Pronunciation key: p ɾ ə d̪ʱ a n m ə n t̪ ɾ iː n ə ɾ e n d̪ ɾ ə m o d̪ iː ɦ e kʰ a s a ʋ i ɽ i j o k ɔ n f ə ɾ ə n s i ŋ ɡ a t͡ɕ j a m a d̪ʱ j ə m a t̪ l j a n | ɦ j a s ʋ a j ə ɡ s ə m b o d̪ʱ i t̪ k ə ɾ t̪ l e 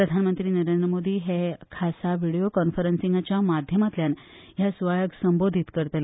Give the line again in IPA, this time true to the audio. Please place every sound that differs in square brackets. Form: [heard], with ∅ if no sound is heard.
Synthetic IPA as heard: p ɾ ə d̪ʱ a n m ə n t̪ ɾ iː n ə ɾ e n d̪ ɾ ə m o d̪ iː ɦ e kʰ a s a ʋ i ɽ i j o k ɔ n f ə ɾ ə n s i ŋ ɡ a t͡ɕ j a m a d̪ʱ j ə m a t̪ l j a n | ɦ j a s ʋ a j ə ɡ s ə m b o d̪ʱ i t̪ k ə ɾ t̪ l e